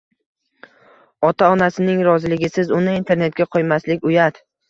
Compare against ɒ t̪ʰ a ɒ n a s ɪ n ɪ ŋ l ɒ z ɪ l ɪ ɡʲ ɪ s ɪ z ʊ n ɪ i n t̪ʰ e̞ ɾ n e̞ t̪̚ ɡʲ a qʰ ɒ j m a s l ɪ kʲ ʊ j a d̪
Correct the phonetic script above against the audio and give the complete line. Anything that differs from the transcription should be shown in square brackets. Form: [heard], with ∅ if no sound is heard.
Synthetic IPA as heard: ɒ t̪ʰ a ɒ n a s ɪ n ɪ ŋ [ɾ] ɒ z ɪ l ɪ ɡʲ ɪ s ɪ z ʊ n ɪ i n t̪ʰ e̞ ɾ n e̞ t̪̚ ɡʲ a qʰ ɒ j m a s l ɪ kʲ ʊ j a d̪